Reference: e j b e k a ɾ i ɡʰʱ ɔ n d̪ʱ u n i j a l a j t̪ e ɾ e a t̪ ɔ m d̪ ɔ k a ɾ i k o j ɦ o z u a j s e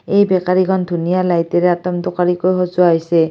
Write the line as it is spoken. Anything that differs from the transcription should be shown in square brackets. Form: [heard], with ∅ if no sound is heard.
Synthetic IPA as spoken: e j b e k a ɾ i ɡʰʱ ɔ n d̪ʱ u n i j a l a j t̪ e ɾ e a t̪ ɔ m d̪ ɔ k a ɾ i k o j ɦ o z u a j s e